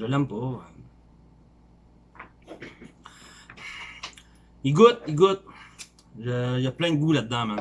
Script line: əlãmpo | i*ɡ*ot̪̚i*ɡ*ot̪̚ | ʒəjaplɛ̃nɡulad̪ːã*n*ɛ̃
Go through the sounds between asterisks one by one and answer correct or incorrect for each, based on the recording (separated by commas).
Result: correct, correct, incorrect